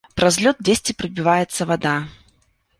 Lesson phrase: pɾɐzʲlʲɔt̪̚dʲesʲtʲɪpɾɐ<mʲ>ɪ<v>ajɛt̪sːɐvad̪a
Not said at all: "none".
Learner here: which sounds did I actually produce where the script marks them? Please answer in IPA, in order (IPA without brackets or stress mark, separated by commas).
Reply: bʲ, v